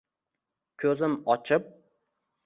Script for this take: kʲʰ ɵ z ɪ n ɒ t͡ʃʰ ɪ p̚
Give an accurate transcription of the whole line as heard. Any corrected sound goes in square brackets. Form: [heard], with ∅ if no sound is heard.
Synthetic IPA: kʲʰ ɵ z ɪ [m] ɒ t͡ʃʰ ɪ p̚